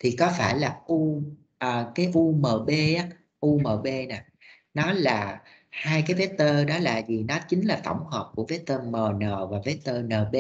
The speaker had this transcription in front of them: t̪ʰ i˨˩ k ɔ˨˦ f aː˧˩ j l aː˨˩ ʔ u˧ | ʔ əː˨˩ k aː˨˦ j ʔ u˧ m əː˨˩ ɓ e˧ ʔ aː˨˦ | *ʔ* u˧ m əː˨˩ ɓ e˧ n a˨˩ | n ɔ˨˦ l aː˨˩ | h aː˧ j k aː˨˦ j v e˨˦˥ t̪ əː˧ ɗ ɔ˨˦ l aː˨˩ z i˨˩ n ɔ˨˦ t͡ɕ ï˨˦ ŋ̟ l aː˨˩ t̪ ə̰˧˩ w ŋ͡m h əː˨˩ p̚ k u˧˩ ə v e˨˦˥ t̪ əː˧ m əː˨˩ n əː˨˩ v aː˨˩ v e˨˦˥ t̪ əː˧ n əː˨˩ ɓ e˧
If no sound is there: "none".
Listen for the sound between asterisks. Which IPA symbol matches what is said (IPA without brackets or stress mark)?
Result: ʔ